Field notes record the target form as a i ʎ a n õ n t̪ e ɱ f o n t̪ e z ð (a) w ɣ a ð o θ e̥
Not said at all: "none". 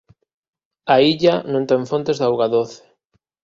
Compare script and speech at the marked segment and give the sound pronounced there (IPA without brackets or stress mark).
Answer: a